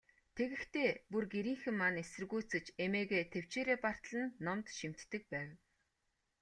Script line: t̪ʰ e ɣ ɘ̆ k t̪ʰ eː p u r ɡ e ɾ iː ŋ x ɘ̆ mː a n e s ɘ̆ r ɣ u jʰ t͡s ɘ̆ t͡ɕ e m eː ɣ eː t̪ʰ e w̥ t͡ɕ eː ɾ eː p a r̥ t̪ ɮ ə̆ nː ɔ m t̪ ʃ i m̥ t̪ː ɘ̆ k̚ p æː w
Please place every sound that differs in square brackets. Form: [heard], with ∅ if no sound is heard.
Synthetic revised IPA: t̪ʰ e ɣ ɘ̆ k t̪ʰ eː p u r ɡ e ɾ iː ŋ x ɘ̆ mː a n e s ɘ̆ r ɣ u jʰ t͡s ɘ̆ t͡ɕ e m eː ɣ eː t̪ʰ e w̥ t͡ɕ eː ɾ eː p a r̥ t̪ ɮ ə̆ nː ɔ m t̪ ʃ i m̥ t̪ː ɘ̆ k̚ p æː w